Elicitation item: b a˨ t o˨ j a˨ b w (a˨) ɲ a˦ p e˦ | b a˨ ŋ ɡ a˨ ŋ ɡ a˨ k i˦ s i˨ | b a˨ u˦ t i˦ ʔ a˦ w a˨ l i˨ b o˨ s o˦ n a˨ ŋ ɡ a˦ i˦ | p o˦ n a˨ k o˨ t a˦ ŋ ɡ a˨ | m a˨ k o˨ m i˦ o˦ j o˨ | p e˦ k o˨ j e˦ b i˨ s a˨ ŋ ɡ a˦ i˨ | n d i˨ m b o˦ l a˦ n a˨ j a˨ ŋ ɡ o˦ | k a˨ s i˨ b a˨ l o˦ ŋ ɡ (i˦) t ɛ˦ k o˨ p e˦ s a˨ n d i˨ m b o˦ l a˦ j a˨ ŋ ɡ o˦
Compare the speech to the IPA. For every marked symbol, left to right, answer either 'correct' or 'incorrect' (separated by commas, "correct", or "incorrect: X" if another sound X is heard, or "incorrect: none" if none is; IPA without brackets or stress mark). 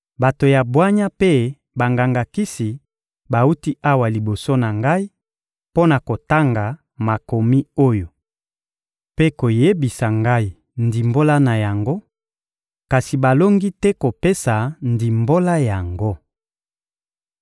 incorrect: a˦, correct